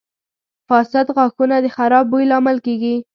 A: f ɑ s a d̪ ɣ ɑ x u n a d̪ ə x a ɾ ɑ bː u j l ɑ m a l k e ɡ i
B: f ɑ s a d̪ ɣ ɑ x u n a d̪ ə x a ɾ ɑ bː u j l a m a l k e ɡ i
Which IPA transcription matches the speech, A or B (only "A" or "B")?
A